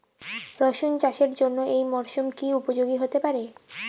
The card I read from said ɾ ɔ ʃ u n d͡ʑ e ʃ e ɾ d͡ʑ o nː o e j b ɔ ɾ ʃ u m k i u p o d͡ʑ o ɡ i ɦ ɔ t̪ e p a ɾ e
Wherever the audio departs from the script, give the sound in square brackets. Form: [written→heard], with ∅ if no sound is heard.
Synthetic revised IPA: ɾ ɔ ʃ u n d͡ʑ [e→a] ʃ e ɾ d͡ʑ o nː o e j [b→m] ɔ ɾ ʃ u m k i u p o d͡ʑ o ɡ i ɦ [ɔ→o] t̪ e p a ɾ e